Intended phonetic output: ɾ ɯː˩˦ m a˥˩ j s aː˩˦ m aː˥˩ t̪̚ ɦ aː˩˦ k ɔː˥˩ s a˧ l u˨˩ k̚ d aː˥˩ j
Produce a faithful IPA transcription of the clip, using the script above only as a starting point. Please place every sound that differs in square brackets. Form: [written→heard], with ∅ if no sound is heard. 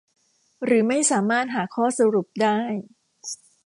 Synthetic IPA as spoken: ɾ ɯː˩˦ m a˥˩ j s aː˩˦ m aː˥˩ t̪̚ ɦ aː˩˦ [k→kʰ] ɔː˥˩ s a˧ [l→ɾ] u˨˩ [k̚→p̚] d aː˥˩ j